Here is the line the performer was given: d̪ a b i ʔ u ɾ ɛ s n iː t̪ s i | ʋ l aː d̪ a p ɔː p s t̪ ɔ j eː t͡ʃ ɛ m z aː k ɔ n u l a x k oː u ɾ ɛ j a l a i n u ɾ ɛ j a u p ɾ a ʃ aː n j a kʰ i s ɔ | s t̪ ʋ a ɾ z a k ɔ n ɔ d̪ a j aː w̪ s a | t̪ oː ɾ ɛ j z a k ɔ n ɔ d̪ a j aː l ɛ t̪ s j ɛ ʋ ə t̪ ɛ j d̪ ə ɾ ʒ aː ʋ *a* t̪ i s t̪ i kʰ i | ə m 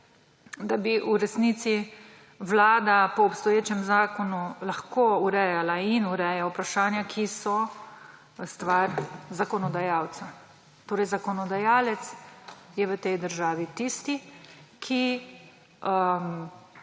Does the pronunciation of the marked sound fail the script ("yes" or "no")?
yes